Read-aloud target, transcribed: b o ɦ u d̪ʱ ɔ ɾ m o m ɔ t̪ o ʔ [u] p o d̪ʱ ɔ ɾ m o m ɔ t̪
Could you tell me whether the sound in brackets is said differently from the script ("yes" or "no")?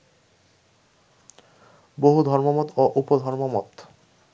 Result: no